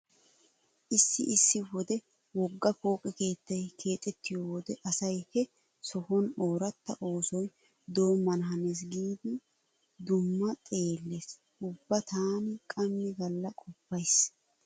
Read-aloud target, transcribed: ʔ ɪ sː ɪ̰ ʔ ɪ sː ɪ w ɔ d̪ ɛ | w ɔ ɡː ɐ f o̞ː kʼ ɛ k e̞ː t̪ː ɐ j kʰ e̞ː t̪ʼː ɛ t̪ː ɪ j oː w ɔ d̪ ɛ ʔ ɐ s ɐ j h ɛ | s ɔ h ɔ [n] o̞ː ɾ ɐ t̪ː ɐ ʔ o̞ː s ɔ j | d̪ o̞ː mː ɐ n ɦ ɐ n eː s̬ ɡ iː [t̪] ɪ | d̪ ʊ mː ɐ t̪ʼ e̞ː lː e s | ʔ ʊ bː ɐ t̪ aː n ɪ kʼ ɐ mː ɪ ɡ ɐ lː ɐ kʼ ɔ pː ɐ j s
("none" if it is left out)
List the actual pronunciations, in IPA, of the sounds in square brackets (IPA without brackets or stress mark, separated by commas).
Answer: n, d̪